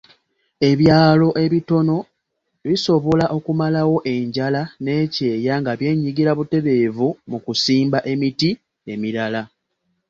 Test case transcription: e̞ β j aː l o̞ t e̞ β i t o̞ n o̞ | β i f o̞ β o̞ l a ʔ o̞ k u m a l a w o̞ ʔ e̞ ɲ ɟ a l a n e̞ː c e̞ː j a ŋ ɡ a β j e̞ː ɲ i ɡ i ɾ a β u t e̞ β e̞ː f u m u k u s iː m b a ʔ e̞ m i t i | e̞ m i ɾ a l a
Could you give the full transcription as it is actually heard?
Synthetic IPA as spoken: e̞ β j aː l o̞ ʔ e̞ β i t o̞ n o̞ | β i s o̞ β o̞ l a ʔ o̞ k u m a l a w o̞ ʔ e̞ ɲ ɟ a l a n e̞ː c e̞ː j a ŋ ɡ a β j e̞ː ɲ i ɡ i ɾ a β u t e̞ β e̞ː v u m u k u s iː m b a ʔ e̞ m i t i | e̞ m i ɾ a l a